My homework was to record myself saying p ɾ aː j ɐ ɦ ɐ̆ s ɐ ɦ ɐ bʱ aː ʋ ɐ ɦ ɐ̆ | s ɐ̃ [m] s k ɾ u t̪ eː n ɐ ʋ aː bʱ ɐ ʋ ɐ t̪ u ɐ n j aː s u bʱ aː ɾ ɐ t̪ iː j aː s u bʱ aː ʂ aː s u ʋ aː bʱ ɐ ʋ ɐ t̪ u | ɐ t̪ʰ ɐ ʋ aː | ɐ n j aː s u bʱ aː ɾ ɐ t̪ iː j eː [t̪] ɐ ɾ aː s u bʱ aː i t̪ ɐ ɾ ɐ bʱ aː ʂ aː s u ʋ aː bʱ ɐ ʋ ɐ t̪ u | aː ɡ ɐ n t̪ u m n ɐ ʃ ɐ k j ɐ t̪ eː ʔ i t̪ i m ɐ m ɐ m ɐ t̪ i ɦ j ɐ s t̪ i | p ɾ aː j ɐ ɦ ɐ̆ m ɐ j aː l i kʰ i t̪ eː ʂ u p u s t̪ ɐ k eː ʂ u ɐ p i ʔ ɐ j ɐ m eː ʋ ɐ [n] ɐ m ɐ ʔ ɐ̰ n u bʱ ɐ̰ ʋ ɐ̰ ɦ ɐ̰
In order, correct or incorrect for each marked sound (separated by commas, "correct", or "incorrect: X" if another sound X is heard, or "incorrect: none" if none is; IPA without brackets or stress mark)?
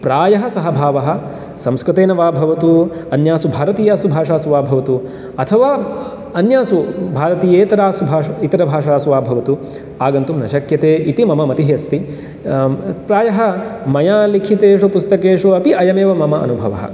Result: correct, correct, incorrect: m